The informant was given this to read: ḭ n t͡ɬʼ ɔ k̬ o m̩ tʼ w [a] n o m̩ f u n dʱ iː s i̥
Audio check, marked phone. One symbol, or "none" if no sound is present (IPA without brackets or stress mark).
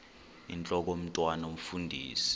a